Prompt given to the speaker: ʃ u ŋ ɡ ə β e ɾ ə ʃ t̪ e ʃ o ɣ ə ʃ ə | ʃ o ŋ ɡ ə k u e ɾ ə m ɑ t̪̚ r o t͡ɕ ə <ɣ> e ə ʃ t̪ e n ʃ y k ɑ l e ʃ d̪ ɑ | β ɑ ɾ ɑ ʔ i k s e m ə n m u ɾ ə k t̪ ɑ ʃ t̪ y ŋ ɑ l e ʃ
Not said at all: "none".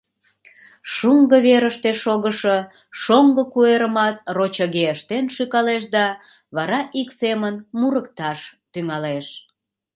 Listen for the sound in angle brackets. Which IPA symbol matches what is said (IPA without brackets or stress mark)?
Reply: ɣ